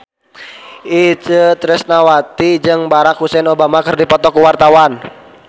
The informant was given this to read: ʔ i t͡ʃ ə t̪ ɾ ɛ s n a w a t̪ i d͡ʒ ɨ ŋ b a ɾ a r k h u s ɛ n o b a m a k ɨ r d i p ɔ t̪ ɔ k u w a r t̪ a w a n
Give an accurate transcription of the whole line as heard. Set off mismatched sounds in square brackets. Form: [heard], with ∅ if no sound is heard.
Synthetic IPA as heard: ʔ i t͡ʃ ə t̪ ɾ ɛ s n a w a t̪ i d͡ʒ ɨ ŋ b a ɾ a [∅] k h u s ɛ n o b a m a k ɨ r d i p ɔ t̪ ɔ k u w a r t̪ a w a n